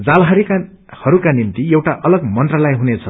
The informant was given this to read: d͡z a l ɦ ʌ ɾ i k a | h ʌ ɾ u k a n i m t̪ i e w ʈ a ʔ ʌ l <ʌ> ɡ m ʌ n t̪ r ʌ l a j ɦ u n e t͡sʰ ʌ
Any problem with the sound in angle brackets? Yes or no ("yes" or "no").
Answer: no